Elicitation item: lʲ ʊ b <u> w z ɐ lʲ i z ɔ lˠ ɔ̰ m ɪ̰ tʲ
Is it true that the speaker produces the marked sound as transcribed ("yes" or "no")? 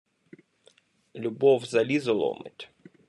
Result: no